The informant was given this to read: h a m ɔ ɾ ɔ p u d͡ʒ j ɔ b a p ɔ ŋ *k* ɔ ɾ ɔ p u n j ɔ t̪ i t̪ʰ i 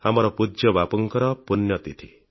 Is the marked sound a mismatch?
no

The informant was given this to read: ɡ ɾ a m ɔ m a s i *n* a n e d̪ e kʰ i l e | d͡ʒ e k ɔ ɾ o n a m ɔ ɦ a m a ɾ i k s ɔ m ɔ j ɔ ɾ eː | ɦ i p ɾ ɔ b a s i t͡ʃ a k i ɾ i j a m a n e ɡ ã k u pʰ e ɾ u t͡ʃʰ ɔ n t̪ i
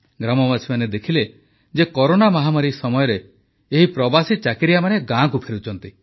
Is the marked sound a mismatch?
yes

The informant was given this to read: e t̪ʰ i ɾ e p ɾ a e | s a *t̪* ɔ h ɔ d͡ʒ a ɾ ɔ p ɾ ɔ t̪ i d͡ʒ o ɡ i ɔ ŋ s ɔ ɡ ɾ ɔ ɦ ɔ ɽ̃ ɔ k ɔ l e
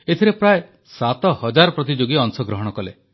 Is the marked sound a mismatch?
no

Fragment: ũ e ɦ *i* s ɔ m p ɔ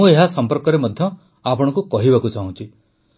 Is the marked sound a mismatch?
yes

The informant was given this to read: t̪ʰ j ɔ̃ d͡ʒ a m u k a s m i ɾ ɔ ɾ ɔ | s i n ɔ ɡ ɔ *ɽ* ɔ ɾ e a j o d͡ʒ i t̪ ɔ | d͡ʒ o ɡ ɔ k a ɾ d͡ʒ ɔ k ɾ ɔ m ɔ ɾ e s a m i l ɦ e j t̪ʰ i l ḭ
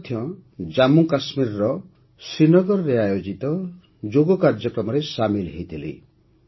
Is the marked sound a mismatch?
yes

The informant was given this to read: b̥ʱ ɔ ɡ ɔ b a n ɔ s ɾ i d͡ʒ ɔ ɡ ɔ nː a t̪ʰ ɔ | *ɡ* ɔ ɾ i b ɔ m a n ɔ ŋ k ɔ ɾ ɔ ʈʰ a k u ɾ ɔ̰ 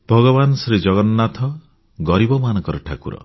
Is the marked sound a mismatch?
no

